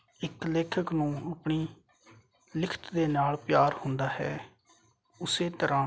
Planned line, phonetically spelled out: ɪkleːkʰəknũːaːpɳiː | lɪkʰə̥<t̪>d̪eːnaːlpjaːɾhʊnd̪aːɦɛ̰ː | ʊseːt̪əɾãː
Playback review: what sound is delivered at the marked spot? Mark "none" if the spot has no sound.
t̪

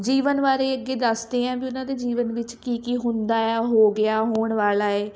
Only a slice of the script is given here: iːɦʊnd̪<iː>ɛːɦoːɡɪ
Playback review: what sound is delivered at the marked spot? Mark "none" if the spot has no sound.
aː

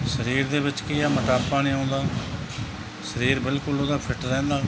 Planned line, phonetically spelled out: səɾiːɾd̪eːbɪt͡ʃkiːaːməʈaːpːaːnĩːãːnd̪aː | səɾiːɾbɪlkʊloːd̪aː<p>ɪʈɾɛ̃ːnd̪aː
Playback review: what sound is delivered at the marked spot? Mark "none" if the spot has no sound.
pʰ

